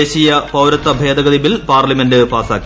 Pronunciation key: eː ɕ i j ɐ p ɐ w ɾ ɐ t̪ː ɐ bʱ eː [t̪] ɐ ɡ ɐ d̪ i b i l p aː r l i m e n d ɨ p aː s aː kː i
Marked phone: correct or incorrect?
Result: incorrect